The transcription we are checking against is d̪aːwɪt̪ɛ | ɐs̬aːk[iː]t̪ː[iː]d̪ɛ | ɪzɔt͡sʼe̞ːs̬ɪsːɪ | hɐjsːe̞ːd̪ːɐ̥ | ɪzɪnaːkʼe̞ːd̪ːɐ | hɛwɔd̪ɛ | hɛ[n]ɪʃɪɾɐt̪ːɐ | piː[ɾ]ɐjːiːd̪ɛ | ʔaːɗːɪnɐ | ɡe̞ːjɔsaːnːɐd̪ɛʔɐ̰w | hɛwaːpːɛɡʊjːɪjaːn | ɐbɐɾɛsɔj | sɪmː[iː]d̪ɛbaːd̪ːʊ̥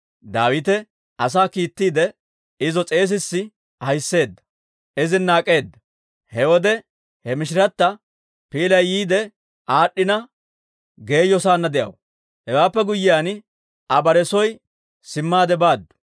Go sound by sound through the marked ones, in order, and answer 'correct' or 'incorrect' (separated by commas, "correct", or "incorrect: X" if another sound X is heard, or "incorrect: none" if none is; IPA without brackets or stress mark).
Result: correct, correct, incorrect: m, incorrect: l, incorrect: aː